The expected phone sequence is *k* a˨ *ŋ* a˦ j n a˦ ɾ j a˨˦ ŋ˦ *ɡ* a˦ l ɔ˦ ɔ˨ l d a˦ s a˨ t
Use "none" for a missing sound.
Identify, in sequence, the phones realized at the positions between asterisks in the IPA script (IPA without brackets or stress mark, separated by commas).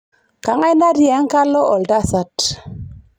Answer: k, ŋ, k